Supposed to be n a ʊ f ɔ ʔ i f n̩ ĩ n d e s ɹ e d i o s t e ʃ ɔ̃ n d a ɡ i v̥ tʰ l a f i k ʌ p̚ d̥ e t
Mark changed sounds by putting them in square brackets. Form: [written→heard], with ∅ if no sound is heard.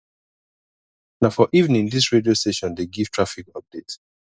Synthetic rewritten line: n a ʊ f ɔ ʔ i [f→v] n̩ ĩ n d [e→i] s ɹ e d i o s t e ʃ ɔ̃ n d [a→e] ɡ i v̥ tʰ [l→ɹ] a f i k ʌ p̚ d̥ e t